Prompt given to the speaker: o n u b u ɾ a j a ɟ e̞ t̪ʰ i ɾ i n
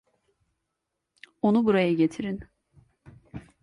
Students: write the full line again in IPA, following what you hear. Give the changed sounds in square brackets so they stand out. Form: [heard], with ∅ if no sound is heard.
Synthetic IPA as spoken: o n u b u ɾ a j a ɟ e̞ t̪ʰ i ɾ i n